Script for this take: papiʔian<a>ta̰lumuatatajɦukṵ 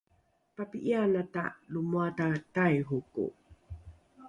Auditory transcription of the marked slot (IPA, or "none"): a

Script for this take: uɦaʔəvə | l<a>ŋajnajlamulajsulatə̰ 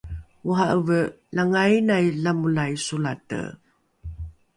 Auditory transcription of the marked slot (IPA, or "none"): a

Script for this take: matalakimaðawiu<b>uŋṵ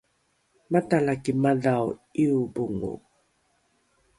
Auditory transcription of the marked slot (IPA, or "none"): b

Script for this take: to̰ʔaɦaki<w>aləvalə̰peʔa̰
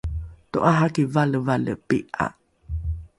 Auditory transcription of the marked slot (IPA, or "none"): v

